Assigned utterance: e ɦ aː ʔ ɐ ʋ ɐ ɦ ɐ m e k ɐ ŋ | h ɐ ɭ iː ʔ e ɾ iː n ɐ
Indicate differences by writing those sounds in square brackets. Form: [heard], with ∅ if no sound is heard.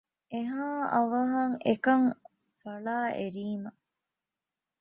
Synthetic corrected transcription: e ɦ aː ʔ ɐ ʋ ɐ ɦ ɐ [ŋ] e k ɐ ŋ | [f] ɐ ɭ [aː] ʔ e ɾ iː [m] ɐ